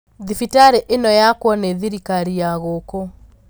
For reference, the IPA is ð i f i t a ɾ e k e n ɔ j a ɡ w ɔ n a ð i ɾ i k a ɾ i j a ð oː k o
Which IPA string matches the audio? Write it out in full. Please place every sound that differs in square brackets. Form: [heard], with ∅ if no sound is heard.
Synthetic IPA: ð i f i t a ɾ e [ʔ] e n ɔ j a [k] w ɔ n [e] ð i ɾ i k a ɾ i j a [ɣ] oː k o